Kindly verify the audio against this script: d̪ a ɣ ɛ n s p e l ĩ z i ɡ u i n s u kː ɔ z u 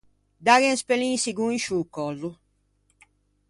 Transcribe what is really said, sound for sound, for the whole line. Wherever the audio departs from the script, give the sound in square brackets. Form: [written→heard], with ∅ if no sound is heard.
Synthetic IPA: d̪ a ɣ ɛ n s p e l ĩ [z→s] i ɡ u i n [s→ʃ] u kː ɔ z u